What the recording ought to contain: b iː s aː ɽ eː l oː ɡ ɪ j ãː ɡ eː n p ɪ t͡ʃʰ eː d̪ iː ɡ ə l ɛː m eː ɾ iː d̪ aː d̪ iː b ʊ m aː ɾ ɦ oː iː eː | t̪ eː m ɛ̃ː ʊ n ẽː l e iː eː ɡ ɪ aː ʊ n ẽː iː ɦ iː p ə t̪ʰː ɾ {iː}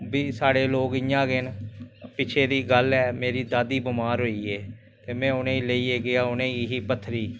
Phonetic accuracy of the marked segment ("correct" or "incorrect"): correct